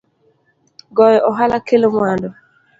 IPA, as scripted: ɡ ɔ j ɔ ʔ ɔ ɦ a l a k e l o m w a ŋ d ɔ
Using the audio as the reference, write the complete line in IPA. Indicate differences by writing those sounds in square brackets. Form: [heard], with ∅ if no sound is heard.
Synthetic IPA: ɡ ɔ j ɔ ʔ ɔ ɦ a l a k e l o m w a [n] d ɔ